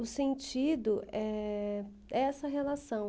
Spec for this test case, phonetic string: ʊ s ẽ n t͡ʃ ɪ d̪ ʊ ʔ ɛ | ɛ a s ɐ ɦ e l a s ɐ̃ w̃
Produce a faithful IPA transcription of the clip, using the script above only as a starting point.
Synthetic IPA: ʊ s ẽ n t͡ʃ i d̪ ʊ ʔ ɛ | ɛ ɛ s ɐ ɦ e l a s ɐ̃ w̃